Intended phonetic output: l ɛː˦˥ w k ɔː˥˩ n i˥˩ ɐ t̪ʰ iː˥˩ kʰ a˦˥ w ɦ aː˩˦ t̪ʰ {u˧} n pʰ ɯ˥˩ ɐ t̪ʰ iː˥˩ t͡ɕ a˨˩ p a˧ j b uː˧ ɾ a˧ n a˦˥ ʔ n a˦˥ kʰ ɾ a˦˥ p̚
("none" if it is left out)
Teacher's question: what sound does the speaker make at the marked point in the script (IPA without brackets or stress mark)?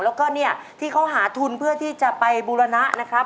u˧